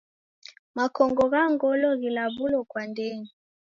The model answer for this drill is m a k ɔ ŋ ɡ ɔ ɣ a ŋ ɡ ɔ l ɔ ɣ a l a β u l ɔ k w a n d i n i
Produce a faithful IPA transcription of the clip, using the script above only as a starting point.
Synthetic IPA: m a k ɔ ŋ ɡ ɔ ɣ a ŋ ɡ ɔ l ɔ ɣ i l a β u l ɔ k w a n d ɛ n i